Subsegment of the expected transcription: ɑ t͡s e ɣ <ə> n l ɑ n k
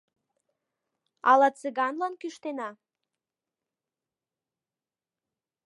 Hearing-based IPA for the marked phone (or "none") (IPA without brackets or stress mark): ɑ